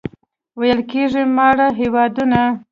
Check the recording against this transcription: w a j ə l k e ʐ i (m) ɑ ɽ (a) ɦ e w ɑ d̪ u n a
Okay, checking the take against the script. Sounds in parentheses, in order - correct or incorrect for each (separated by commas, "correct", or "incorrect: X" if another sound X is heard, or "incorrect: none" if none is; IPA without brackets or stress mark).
correct, correct